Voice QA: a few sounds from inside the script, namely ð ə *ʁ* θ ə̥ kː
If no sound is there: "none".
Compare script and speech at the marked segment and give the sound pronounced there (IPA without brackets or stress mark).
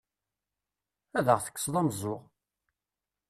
ʁ